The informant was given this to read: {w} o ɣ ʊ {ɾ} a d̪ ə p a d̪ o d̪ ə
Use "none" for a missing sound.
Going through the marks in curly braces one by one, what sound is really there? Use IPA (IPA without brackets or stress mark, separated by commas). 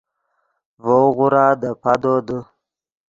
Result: v, ɾ